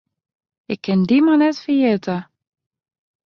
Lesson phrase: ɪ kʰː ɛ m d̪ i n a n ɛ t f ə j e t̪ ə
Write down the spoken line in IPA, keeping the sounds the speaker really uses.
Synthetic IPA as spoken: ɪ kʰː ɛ n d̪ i m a n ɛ t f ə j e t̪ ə